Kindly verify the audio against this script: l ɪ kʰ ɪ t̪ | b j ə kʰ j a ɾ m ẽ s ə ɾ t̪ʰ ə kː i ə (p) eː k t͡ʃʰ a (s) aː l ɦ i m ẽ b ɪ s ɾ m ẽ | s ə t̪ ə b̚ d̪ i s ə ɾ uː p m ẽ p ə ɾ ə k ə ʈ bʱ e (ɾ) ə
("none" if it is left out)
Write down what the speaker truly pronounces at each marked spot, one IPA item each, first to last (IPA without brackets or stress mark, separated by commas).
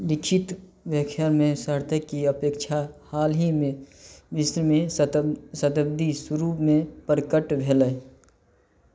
p, h, l